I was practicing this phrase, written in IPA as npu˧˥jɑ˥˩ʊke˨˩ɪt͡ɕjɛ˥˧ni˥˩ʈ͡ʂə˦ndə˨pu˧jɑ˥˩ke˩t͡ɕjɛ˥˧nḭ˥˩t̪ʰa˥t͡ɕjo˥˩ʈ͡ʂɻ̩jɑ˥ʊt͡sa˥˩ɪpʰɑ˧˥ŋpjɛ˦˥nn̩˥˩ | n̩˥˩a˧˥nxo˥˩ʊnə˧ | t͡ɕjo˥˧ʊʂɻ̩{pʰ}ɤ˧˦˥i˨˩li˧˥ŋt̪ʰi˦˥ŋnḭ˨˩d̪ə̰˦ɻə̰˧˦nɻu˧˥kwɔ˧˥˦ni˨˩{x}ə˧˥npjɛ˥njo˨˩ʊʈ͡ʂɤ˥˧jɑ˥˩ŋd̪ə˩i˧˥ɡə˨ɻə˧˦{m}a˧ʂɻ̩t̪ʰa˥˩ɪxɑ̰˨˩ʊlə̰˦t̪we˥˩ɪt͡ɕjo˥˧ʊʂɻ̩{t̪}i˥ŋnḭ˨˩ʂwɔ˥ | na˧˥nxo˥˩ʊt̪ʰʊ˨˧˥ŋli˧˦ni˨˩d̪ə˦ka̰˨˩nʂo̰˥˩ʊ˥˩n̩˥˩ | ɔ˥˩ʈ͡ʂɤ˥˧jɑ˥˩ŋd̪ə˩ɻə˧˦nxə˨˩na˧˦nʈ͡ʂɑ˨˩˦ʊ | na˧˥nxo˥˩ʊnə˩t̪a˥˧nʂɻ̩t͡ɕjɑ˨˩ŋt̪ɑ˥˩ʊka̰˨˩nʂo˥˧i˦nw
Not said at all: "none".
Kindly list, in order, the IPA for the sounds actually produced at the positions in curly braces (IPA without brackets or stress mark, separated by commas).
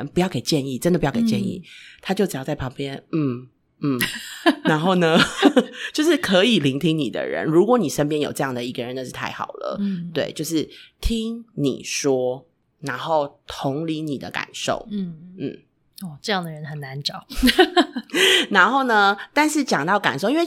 kʰ, ʂ, n, t̪ʰ